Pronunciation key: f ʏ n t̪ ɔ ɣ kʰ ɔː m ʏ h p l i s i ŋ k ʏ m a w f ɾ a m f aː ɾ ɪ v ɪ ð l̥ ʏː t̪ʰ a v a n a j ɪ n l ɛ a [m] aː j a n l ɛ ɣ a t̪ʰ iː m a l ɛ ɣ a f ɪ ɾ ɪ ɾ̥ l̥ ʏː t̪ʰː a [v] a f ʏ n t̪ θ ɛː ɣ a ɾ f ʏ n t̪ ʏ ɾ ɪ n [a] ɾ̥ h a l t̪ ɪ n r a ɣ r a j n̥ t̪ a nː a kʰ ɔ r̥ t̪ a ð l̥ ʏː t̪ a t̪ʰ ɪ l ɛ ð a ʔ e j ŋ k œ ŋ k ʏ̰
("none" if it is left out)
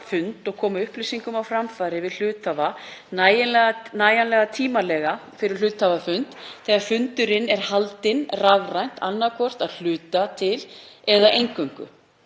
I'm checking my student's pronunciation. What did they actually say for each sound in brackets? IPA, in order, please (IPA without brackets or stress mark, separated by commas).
n, v, ɛ